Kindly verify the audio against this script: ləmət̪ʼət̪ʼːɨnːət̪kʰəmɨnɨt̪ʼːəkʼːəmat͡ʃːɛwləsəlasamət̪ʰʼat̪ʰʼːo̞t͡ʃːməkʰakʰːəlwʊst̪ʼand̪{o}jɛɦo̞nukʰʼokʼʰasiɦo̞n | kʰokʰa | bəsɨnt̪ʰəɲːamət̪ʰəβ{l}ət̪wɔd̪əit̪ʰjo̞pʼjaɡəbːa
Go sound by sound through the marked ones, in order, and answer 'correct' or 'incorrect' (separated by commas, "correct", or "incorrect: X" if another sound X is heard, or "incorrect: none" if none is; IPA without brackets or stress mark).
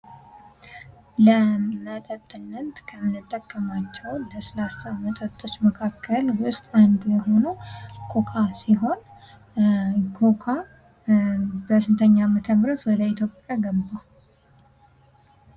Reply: incorrect: u, incorrect: ɾ